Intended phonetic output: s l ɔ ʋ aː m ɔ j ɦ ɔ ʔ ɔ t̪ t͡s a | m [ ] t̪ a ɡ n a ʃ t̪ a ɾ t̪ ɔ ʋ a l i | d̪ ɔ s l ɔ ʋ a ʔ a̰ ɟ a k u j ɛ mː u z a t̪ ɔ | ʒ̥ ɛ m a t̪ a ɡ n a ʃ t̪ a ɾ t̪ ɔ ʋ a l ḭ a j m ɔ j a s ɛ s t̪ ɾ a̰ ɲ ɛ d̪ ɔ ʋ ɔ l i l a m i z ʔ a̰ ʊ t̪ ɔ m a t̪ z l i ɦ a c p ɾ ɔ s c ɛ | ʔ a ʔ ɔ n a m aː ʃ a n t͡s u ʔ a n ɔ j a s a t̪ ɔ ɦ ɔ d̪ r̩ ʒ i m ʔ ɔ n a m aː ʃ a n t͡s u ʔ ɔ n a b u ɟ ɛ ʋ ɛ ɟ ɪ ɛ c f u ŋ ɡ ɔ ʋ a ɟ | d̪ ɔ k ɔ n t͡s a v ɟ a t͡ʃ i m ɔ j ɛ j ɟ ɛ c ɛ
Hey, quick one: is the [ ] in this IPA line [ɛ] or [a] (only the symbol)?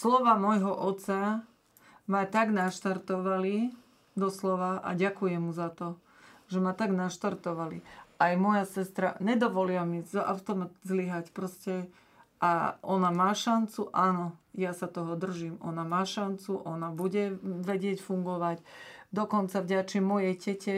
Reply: a